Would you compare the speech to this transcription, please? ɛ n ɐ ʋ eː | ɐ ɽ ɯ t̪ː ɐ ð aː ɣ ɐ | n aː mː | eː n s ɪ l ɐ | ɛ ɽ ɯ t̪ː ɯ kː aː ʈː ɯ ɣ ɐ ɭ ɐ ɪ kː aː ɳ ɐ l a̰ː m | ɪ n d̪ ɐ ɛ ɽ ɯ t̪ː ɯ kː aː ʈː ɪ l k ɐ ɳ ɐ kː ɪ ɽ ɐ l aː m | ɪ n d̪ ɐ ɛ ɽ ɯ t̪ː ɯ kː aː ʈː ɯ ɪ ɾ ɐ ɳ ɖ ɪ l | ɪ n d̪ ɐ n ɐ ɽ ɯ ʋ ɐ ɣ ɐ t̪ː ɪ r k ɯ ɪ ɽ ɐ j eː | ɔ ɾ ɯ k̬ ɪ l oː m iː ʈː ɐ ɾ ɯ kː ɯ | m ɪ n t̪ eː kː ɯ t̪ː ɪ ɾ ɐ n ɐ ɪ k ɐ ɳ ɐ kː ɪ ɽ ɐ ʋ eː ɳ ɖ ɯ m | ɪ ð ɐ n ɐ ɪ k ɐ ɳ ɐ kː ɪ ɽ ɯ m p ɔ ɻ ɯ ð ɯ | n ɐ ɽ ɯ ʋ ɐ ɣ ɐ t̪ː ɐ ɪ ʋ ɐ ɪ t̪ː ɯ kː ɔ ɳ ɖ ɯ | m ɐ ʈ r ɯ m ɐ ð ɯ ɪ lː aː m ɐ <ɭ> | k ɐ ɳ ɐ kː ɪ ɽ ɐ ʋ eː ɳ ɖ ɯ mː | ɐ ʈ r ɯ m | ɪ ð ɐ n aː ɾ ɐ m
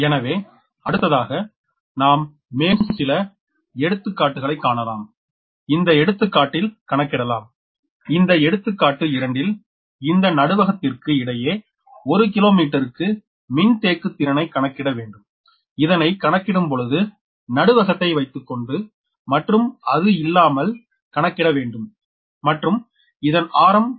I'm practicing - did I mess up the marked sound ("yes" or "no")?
yes